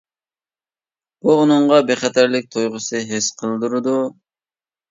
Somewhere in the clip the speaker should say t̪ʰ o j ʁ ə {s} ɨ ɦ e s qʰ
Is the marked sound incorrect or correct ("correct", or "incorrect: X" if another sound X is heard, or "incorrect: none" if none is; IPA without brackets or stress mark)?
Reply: correct